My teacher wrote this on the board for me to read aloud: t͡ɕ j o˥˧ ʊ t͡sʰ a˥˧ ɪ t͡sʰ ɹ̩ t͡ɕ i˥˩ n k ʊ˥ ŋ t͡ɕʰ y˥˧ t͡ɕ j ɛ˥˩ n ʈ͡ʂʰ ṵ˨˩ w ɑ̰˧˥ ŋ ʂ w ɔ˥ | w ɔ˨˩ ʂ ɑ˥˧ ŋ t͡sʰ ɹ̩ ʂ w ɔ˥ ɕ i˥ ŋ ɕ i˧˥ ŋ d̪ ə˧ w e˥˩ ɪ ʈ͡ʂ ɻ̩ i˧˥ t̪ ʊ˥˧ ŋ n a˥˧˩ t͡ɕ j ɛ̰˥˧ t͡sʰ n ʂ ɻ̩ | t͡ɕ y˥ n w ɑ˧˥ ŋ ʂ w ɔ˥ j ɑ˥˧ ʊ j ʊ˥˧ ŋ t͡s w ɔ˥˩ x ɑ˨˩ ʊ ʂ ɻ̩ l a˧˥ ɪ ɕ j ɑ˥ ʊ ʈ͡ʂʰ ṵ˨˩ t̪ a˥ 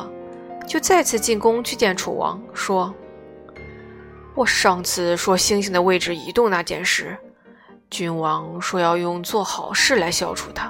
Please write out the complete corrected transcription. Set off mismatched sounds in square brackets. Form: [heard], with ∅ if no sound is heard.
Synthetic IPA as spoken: t͡ɕ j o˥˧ ʊ [t͡s] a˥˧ ɪ t͡sʰ ɹ̩ t͡ɕ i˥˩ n k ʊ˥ ŋ t͡ɕʰ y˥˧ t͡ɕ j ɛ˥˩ n ʈ͡ʂʰ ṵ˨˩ w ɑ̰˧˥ ŋ ʂ w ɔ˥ | w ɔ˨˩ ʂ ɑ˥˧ ŋ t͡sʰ ɹ̩ ʂ w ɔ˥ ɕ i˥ ŋ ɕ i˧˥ ŋ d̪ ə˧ w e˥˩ ɪ ʈ͡ʂ ɻ̩ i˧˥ t̪ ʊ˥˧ ŋ n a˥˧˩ t͡ɕ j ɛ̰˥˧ [∅] n ʂ ɻ̩ | t͡ɕ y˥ n w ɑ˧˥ ŋ ʂ w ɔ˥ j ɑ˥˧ ʊ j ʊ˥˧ ŋ t͡s w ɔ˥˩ x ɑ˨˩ ʊ ʂ ɻ̩ l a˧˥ ɪ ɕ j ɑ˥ ʊ ʈ͡ʂʰ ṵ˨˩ [t̪ʰ] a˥